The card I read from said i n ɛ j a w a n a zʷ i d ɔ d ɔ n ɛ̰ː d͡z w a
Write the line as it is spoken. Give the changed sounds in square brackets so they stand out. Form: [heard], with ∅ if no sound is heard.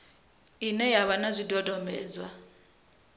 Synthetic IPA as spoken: i n ɛ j a [β] a n a zʷ i d ɔ d ɔ [m] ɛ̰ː d͡z w a